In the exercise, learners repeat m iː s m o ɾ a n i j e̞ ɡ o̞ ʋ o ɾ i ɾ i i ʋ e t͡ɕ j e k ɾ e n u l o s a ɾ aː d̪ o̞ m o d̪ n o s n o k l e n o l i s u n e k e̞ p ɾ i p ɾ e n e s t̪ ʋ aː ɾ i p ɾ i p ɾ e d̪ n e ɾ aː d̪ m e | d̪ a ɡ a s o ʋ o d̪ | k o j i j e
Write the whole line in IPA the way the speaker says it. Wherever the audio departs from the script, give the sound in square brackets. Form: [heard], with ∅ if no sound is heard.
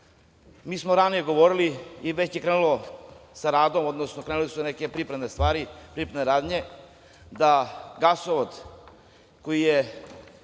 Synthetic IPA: m iː s m o ɾ a n i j e̞ ɡ o̞ ʋ o ɾ i [l] i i ʋ e t͡ɕ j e k ɾ e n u l o s a ɾ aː d̪ o̞ m o d̪ n o s n o k [ɾ] e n [u] l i s u n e k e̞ p ɾ i p ɾ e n e s t̪ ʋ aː ɾ i p ɾ i p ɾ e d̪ n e ɾ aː d̪ [ɲ] e | d̪ a ɡ a s o ʋ o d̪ | k o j i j e